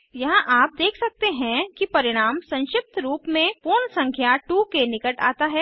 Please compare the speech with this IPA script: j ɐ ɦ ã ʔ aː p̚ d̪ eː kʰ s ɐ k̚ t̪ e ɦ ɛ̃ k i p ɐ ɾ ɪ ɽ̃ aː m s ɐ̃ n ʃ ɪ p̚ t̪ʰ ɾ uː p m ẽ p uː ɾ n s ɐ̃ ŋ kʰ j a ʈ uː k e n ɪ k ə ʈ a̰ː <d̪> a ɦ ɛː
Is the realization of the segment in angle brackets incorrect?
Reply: yes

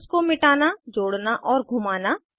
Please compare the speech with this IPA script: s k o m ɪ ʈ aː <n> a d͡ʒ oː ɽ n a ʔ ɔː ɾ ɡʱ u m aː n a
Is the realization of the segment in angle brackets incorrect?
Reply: no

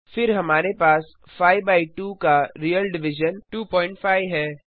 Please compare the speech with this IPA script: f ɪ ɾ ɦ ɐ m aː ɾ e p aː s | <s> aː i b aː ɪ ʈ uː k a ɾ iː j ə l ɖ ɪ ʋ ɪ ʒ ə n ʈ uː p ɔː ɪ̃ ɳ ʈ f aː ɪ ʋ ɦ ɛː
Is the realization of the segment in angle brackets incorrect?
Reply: yes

